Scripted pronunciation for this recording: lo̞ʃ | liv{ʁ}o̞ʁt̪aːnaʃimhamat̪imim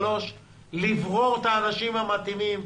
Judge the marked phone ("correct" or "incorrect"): correct